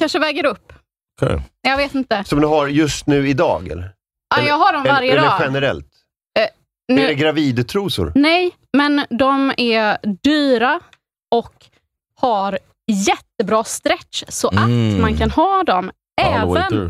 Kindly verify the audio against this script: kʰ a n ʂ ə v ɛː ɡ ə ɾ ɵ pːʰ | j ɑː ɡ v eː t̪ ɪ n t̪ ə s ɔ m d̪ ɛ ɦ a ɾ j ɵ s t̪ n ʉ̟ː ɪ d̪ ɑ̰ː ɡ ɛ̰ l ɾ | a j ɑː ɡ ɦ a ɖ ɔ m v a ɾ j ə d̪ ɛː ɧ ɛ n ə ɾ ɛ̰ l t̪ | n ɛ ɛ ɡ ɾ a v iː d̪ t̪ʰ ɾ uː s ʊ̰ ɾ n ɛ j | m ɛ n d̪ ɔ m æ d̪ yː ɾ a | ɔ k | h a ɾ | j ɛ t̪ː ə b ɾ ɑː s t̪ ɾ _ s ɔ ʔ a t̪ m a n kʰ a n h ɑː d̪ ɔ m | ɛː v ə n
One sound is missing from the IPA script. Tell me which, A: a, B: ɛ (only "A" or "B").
B